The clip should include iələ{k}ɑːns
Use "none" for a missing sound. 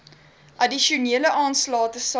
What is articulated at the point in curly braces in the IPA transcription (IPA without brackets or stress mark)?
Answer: ʔ